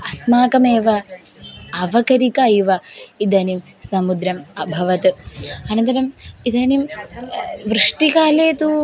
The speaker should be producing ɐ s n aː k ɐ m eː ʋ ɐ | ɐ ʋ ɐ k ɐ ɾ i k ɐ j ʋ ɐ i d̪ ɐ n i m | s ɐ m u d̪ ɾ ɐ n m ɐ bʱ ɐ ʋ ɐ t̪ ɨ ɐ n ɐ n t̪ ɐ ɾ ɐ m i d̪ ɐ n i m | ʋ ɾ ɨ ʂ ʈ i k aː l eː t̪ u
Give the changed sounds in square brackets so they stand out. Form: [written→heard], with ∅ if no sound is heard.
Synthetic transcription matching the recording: ɐ s [n→m] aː k ɐ m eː ʋ ɐ | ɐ ʋ ɐ k ɐ ɾ i k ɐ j ʋ ɐ i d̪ ɐ n i m | s ɐ m u d̪ ɾ ɐ [n→∅] m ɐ bʱ ɐ ʋ ɐ t̪ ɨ ɐ n ɐ n t̪ ɐ ɾ ɐ m i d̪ ɐ n i m | ʋ ɾ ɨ ʂ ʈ i k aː l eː t̪ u